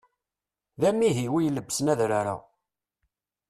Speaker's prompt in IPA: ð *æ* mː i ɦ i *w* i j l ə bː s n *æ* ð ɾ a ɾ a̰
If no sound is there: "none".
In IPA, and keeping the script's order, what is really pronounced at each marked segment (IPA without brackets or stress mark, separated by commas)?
æ, w, æ